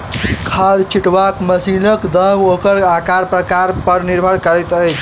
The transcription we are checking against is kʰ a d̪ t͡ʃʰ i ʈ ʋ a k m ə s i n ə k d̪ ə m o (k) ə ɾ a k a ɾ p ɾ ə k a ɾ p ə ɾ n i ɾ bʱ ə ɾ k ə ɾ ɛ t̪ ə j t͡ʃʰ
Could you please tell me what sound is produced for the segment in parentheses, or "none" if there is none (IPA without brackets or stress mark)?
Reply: k